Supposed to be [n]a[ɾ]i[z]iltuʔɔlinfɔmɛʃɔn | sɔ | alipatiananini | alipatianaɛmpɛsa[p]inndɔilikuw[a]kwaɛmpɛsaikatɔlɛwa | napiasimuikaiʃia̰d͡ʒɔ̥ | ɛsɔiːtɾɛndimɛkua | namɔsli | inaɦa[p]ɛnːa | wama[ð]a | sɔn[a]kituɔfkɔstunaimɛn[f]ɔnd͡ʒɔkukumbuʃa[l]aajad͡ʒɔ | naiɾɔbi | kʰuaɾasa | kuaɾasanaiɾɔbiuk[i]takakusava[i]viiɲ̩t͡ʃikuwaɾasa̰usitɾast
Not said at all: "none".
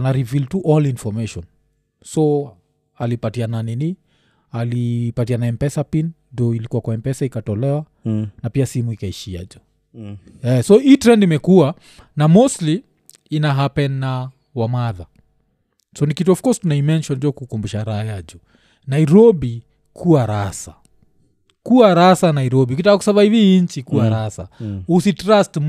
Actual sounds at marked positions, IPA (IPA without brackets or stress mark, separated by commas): n, ɾ, v, p, a, p, ð, i, ʃ, ɾ, i, i